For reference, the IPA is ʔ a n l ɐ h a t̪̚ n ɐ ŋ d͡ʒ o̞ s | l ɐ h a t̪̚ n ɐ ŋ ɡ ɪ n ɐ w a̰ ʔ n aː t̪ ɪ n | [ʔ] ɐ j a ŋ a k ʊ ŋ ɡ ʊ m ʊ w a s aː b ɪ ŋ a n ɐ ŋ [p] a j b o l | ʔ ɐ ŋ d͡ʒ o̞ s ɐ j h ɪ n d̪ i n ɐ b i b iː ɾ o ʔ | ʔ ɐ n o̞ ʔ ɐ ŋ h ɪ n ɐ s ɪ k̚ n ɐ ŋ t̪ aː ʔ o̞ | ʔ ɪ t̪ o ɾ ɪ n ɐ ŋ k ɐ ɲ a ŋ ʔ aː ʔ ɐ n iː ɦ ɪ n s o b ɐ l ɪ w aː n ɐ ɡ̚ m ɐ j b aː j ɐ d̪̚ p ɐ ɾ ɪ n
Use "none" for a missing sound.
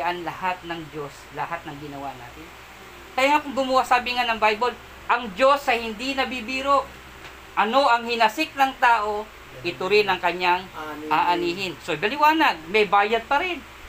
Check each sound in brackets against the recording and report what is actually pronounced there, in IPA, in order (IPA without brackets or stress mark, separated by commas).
k, b